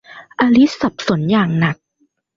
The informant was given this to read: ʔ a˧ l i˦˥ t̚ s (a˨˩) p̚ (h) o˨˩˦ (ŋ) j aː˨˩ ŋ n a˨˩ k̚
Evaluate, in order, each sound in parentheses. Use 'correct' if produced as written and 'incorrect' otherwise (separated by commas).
correct, incorrect, incorrect